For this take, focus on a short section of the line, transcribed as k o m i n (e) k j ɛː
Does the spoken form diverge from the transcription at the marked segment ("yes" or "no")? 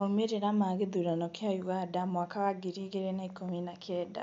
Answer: yes